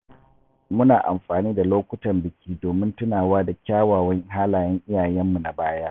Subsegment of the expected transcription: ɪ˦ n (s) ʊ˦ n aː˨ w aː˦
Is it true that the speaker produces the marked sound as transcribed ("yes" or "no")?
no